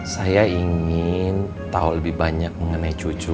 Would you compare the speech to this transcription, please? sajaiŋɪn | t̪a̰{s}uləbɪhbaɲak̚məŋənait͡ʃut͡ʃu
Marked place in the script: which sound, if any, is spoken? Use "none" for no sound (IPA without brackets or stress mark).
none